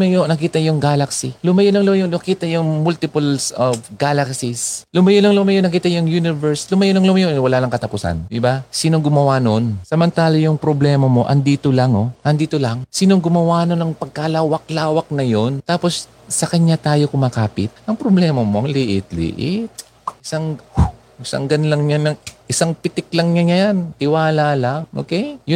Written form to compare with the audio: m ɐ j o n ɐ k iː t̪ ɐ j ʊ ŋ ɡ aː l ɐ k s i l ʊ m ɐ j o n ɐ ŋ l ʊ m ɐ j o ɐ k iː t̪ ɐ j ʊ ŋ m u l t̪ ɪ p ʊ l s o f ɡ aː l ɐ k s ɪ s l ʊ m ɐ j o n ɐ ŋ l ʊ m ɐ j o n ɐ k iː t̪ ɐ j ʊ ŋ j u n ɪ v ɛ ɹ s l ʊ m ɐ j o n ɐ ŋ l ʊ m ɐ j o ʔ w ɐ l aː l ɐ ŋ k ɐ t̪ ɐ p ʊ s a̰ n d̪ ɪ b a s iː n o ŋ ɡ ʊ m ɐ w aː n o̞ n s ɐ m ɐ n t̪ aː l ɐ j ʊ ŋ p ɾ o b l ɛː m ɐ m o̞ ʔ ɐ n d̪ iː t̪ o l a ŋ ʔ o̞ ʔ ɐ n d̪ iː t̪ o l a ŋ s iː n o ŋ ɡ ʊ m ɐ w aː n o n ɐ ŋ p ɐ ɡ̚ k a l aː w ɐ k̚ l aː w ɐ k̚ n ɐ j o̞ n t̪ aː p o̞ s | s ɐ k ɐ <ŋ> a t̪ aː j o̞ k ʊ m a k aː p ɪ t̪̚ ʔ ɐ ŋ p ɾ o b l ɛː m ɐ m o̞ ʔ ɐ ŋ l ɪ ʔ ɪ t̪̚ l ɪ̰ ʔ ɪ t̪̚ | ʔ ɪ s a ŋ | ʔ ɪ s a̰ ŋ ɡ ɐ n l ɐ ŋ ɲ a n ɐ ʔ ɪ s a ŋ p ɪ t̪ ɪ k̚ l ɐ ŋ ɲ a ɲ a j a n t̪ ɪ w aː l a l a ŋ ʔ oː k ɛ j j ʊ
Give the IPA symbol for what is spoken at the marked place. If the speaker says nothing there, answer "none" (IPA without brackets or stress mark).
ɲ